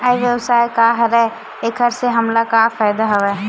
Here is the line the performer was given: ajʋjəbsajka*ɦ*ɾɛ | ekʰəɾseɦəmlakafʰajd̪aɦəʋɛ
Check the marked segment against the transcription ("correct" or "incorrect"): correct